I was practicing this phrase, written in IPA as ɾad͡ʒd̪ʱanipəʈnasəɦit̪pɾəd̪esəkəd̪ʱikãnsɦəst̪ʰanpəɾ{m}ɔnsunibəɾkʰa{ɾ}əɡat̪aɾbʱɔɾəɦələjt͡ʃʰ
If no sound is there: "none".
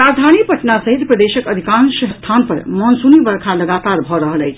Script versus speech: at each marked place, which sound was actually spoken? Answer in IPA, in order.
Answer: m, l

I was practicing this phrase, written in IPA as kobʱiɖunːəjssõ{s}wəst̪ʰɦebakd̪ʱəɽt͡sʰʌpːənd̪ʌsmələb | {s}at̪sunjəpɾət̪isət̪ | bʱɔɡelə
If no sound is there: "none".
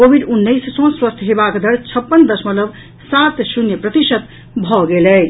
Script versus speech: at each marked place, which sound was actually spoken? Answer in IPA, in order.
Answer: s, s

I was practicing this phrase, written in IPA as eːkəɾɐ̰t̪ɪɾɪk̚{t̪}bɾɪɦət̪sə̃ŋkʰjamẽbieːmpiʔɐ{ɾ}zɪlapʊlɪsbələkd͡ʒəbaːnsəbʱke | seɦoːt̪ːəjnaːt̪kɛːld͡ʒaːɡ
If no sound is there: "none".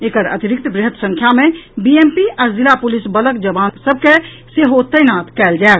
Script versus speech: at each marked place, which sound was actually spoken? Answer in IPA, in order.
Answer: t̪, ɾ

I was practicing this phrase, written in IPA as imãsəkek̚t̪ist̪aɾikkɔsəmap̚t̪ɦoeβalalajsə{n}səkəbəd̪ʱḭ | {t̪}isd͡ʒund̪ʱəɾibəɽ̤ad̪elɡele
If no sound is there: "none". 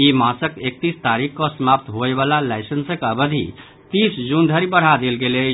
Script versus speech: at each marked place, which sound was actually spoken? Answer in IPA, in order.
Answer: n, t̪

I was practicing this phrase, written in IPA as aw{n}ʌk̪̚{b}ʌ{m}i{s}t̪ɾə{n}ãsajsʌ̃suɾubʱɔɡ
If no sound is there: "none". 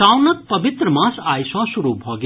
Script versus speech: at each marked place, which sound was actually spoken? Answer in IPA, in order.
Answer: n, p, b, none, m

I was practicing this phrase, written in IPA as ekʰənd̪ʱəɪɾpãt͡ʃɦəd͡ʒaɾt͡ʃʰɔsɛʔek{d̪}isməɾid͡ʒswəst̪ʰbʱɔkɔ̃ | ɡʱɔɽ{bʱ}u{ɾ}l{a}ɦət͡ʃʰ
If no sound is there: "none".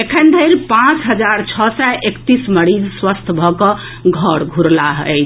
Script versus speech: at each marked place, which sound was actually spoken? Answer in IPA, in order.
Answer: t̪, ɡʱ, ɾ, a

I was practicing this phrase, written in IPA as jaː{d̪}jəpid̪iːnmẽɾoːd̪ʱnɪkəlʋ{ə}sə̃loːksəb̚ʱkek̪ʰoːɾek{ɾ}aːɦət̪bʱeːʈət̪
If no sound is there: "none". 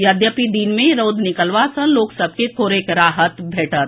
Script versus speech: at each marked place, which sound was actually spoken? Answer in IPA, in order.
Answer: d̪, a, ɾ

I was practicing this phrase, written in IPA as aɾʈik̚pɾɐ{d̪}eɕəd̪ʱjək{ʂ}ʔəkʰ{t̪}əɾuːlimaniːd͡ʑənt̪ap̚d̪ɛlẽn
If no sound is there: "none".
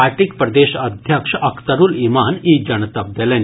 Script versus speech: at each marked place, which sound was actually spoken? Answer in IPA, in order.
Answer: d̪, ʂ, t̪

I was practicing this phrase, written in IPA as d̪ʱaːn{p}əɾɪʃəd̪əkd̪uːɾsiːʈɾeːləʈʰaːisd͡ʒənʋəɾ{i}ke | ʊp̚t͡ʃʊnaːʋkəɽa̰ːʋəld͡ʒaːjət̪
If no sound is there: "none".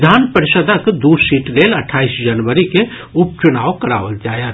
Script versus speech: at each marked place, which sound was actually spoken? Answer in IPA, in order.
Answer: p, i

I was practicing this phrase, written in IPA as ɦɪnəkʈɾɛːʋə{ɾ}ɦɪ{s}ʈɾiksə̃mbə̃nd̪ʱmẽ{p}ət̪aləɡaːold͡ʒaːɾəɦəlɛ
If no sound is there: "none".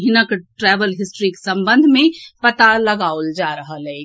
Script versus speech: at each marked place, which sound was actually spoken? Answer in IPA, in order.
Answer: l, s, p

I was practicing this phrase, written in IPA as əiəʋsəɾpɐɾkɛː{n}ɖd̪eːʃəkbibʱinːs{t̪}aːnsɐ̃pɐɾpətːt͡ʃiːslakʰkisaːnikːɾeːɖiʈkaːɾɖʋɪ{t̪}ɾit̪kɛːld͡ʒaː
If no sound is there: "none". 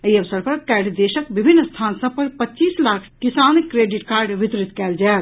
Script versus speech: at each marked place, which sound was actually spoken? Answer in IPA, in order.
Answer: none, t̪ʰ, t̪

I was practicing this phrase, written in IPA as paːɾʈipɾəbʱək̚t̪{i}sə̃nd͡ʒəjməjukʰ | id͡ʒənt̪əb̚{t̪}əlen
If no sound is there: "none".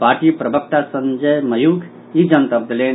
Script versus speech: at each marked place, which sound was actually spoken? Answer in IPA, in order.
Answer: a, d̪

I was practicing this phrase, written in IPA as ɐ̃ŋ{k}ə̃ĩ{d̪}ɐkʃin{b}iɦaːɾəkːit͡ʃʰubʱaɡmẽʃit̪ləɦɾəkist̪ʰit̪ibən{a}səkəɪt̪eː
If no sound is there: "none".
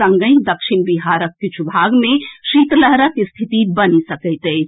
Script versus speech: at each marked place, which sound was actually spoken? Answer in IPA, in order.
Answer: ɡ, d̪, b, i

